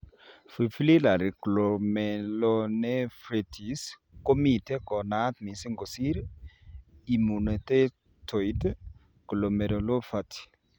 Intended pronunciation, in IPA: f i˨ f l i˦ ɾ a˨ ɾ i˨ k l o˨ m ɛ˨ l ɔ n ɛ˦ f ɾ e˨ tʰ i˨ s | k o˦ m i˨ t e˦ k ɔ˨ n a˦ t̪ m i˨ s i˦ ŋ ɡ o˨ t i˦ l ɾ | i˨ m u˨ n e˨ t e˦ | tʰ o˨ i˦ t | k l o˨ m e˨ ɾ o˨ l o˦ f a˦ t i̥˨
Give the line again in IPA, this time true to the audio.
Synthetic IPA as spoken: f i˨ f l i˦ l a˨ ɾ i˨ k l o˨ m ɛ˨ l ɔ n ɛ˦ f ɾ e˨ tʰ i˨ s | k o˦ m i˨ t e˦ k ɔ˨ n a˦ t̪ m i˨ s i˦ ŋ ɡ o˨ s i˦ ɾ | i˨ m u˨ n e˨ t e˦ | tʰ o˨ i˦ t | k l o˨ m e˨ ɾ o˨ l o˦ f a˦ t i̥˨